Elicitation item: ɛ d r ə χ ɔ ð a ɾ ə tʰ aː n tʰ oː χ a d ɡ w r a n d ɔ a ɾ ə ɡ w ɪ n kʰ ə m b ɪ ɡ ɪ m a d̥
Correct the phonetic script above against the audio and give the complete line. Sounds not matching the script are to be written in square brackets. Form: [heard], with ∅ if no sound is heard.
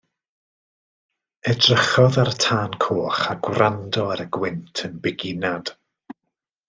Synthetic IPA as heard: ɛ d r ə χ ɔ ð a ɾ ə tʰ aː n [kʰ] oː χ a [∅] ɡ w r a n d ɔ a ɾ ə ɡ w ɪ n [tʰ] ə [n] b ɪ ɡ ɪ [n] a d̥